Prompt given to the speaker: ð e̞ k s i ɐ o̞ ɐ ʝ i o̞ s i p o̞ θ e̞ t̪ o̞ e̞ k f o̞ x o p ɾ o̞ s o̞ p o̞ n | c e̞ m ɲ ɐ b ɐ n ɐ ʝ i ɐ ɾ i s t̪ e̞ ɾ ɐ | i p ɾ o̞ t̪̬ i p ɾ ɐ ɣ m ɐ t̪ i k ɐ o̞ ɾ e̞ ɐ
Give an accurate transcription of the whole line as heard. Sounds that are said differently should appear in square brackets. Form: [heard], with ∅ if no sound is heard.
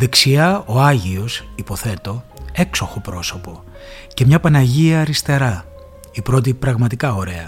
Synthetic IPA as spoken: ð e̞ k s i ɐ o̞ ɐ ʝ i o̞ s i p o̞ θ e̞ t̪ o̞ e̞ k [s] o̞ x o p ɾ o̞ s o̞ p o̞ [∅] | c e̞ m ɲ ɐ [p] ɐ n ɐ ʝ i ɐ ɾ i s t̪ e̞ ɾ ɐ | i p ɾ o̞ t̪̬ i p ɾ ɐ ɣ m ɐ t̪ i k ɐ o̞ ɾ e̞ ɐ